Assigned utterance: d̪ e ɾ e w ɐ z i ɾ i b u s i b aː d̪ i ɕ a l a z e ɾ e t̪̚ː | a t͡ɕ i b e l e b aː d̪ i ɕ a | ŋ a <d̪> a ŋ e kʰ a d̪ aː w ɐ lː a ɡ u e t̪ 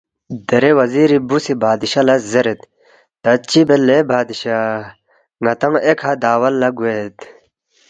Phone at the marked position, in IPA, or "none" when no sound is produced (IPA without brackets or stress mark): t̪